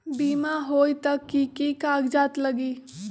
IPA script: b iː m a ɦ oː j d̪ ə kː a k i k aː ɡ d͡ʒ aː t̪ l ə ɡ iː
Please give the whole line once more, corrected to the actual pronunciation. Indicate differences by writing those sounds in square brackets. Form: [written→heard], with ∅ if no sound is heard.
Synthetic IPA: b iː m a ɦ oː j [d̪→t̪] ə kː [a→i] k i k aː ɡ d͡ʒ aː t̪ l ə ɡ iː